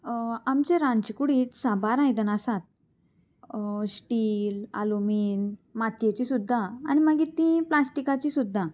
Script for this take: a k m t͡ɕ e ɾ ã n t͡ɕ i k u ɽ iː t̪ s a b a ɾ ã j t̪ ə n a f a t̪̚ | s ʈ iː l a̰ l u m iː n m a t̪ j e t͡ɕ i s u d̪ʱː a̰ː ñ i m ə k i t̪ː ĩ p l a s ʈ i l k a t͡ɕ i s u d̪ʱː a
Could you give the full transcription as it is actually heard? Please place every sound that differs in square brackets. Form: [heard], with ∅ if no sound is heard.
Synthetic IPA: a [∅] m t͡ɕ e ɾ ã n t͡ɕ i k u ɽ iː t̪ s a b a ɾ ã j [d̪] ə n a [s] a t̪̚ | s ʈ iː l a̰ l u m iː n m a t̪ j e t͡ɕ i s u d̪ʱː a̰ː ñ i m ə [ɡ] i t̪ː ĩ p l a s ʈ i [∅] k a t͡ɕ i s u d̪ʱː a

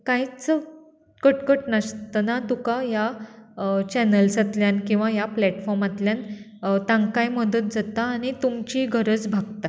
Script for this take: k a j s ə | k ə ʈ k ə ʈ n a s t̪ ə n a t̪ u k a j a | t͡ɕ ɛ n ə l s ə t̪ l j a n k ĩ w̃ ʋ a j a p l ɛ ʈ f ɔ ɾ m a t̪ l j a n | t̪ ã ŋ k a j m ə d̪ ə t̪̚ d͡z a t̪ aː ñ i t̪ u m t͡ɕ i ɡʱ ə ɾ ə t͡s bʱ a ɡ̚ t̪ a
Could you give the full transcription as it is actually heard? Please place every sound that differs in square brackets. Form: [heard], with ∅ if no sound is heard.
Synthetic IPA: k a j [t͡s] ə | k ə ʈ k ə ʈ n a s t̪ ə n a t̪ u k a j a | t͡ɕ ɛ n ə l s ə t̪ l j a n k ĩ w̃ ʋ a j a p l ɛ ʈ f ɔ ɾ m a t̪ l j a n | t̪ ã ŋ k a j m ə d̪ ə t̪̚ d͡z a t̪ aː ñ i t̪ u m t͡ɕ i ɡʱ ə ɾ ə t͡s bʱ a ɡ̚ t̪ a

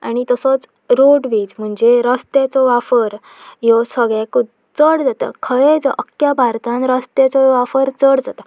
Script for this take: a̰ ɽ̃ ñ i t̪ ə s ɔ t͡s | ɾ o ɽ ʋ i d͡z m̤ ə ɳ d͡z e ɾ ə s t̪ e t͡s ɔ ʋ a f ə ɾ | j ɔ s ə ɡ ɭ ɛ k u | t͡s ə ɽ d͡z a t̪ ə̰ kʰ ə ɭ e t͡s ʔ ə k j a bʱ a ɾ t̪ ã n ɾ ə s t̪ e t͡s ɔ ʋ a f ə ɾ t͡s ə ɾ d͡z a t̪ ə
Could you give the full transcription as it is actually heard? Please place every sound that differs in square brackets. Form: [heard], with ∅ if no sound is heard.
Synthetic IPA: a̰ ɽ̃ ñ i t̪ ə s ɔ t͡s | ɾ o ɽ ʋ i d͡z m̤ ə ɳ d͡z e ɾ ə s t̪ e t͡s ɔ ʋ a f ə ɾ | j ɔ s ə ɡ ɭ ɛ k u | t͡s ə ɽ d͡z a t̪ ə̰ kʰ ə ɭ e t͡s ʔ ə k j a bʱ a ɾ t̪ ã n ɾ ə s t̪ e t͡s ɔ ʋ a f ə ɾ t͡s ə [ɽ] d͡z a t̪ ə

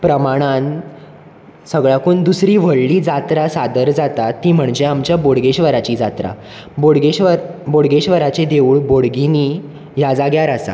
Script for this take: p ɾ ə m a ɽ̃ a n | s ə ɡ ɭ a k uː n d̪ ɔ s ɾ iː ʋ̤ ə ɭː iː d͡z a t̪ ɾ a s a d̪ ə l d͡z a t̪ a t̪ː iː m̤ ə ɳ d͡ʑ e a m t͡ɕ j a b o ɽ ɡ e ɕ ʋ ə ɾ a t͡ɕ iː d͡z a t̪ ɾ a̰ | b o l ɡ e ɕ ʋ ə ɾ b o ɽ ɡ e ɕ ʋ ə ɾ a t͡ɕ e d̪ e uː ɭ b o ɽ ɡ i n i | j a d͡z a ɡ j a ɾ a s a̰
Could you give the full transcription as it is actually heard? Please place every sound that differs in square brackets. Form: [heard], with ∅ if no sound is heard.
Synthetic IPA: p ɾ ə m a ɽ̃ a n | s ə ɡ ɭ a k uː n d̪ [u] s ɾ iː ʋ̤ ə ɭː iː d͡z a t̪ ɾ a s a d̪ ə [ɾ] d͡z a t̪ a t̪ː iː m̤ ə ɳ d͡ʑ e a m t͡ɕ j a b o ɽ ɡ e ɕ ʋ ə ɾ a t͡ɕ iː d͡z a t̪ ɾ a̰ | b o [ɽ] ɡ e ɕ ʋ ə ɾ b o ɽ ɡ e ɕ ʋ ə ɾ a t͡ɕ e d̪ e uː ɭ b o ɽ ɡ i n i | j a d͡z a ɡ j a ɾ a s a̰

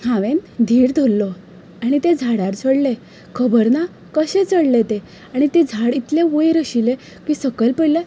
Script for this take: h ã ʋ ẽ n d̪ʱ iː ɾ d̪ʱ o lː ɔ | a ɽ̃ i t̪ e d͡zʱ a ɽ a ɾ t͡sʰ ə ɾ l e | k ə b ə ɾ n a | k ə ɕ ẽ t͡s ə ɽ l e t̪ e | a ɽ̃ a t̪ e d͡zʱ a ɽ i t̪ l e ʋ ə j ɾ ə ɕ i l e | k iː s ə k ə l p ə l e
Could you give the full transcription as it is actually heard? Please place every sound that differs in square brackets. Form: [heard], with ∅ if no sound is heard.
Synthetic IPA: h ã ʋ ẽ n d̪ʱ iː ɾ d̪ʱ o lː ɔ | a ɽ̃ i t̪ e d͡zʱ a ɽ a ɾ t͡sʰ ə [ɽ] l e | [kʰ] ə b ə ɾ n a | k ə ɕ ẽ t͡s ə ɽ l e t̪ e | a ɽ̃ [i] t̪ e d͡zʱ a ɽ i t̪ l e ʋ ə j ɾ ə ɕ i l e | k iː s ə k ə l p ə l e

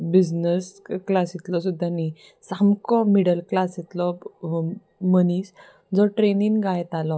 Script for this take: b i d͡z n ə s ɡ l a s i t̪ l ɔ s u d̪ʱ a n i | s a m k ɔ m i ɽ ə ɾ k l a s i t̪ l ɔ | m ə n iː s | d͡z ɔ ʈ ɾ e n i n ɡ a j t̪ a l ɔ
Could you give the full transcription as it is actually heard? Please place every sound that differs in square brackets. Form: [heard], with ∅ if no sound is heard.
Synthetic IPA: b i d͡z n ə s [k] l a s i t̪ l ɔ s u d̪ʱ a n i | s a m k ɔ m i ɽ ə [l] k l a s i t̪ l ɔ | m ə n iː s | d͡z ɔ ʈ ɾ e n i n ɡ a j t̪ a l ɔ

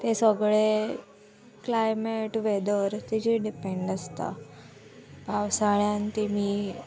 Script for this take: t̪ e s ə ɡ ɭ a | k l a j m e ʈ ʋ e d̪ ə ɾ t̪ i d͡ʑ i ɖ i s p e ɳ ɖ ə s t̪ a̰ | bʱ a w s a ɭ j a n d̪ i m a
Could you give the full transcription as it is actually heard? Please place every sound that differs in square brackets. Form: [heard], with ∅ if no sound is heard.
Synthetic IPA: t̪ e s ə ɡ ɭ [e] | k l a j m e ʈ ʋ e d̪ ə ɾ t̪ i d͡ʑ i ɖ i [∅] p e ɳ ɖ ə s t̪ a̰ | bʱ a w s a ɭ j a n [t̪] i m [i]

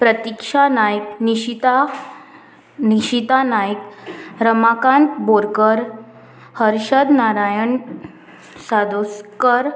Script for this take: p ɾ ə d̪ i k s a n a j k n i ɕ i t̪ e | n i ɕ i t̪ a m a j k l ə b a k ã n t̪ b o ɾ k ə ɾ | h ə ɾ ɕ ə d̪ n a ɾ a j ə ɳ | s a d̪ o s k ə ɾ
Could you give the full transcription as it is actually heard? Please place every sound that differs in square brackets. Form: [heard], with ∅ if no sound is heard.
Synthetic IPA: p ɾ ə [t̪] i k [ʂ] a n a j k n i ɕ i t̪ [a] | n i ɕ i t̪ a [n] a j k [ɾ] ə [m] a k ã n t̪ b o ɾ k ə ɾ | h ə ɾ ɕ ə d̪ n a ɾ a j ə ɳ | s a d̪ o s k ə ɾ

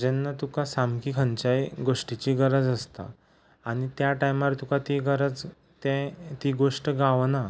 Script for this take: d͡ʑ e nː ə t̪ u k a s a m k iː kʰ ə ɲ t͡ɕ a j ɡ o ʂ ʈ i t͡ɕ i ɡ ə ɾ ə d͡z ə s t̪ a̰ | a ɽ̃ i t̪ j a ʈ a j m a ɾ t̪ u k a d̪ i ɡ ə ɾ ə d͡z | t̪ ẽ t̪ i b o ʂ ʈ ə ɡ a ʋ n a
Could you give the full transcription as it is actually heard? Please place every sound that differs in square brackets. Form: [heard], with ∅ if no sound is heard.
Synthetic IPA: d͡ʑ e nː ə t̪ u k a s a m k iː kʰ ə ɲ t͡ɕ a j ɡ o ʂ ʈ i t͡ɕ i ɡ ə ɾ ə d͡z ə s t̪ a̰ | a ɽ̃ i t̪ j a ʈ a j m a ɾ t̪ u k a [t̪] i ɡ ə ɾ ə d͡z | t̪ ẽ t̪ i [ɡ] o ʂ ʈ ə ɡ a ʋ n a

